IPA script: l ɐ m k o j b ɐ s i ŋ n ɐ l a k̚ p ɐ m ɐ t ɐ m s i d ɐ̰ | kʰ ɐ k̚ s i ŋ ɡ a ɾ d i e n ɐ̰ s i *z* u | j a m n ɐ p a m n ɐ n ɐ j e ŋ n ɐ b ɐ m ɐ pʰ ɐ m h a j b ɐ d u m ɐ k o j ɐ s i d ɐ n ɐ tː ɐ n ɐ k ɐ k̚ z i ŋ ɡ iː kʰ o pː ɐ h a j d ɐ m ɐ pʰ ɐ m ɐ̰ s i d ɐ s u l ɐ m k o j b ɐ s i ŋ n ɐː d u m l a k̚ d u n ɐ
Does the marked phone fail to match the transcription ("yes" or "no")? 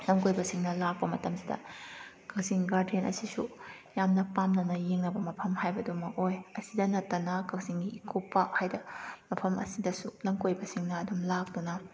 yes